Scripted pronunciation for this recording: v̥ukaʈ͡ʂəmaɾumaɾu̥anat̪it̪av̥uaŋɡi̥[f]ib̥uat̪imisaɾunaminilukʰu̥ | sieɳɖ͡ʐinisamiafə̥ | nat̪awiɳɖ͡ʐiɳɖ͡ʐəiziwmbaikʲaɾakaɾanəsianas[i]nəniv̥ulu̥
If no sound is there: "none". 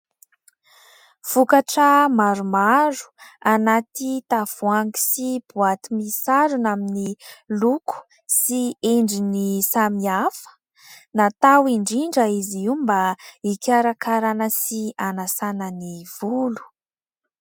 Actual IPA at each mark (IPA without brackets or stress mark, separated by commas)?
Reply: s, a